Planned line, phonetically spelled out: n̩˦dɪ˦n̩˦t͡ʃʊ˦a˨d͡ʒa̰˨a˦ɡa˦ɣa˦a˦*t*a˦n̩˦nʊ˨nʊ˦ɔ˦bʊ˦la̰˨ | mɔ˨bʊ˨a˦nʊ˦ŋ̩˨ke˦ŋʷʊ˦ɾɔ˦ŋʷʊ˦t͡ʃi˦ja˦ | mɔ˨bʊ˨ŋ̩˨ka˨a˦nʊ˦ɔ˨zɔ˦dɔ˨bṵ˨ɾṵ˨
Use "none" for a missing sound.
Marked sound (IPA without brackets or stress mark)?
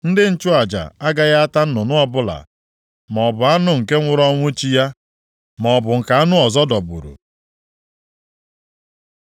t